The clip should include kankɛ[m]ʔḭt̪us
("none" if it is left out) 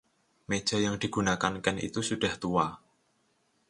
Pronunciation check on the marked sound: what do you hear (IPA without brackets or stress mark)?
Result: n